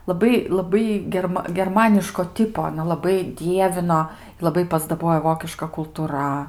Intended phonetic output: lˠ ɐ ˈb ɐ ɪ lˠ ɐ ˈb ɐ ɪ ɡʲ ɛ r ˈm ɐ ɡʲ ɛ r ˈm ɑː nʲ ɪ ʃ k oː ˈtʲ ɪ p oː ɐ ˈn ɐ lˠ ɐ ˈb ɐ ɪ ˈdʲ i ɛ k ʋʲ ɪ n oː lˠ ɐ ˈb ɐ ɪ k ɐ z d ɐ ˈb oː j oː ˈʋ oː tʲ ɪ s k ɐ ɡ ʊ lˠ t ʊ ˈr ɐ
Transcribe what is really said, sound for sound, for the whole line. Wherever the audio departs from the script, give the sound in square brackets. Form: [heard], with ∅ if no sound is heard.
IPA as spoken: lˠ ɐ ˈb ɐ ɪ lˠ ɐ ˈb ɐ ɪ ɡʲ ɛ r ˈm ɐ ɡʲ ɛ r ˈm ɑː nʲ ɪ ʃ k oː ˈtʲ ɪ p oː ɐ ˈn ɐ lˠ ɐ ˈb ɐ ɪ ˈdʲ i ɛ [∅] ʋʲ ɪ n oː lˠ ɐ ˈb ɐ ɪ [p] ɐ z d ɐ ˈb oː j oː ˈʋ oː [kʲ] ɪ [ʃ] k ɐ [k] ʊ lˠ t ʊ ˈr ɐ